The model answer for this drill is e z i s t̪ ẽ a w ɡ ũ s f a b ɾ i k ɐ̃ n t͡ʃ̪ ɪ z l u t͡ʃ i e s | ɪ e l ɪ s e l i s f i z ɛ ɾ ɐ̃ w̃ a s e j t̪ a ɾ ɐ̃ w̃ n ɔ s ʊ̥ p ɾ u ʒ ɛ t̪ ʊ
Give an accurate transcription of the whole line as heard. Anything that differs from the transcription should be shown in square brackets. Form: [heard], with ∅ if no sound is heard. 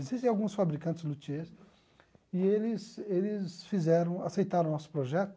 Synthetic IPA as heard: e z i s t̪ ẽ a w ɡ ũ s f a b ɾ i k ɐ̃ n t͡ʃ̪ ɪ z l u t͡ʃ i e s | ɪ e l ɪ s e l [ɪ] s f i z ɛ ɾ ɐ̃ w̃ a s e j t̪ a ɾ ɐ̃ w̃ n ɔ s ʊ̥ p ɾ [o] ʒ ɛ t̪ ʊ

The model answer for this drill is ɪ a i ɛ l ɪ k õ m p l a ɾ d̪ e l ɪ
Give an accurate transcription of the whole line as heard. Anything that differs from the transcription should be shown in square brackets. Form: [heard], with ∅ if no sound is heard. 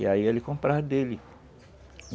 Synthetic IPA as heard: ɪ a i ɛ l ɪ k õ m p [ɾ] a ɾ d̪ e l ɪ

